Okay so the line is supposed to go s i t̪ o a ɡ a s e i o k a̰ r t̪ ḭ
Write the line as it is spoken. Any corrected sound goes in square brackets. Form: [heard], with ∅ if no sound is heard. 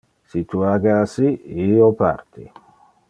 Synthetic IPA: s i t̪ [u] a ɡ a s [i] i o [p] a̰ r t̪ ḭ